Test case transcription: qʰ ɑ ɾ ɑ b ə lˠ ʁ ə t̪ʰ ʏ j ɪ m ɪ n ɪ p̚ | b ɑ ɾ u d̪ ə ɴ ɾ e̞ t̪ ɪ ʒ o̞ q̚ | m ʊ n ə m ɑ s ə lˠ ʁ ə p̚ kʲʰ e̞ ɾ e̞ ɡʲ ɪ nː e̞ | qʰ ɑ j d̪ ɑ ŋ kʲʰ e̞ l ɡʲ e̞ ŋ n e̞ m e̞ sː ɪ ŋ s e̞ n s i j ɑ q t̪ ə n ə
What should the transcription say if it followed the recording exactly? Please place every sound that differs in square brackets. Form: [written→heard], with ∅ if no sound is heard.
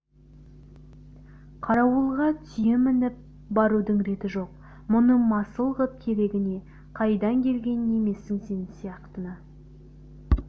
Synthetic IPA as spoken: qʰ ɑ ɾ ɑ [b→w] ə lˠ ʁ [ə→ɑ] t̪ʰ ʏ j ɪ m ɪ n ɪ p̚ | b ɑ ɾ u d̪ ə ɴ ɾ e̞ t̪ ɪ ʒ o̞ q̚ | m ʊ n ə m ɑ s ə lˠ ʁ ə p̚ kʲʰ e̞ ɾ e̞ ɡʲ ɪ [nː→n] e̞ | qʰ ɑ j d̪ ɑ ŋ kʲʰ e̞ l ɡʲ e̞ [ŋ→n] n e̞ m e̞ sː ɪ ŋ s e̞ n s i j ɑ q t̪ ə n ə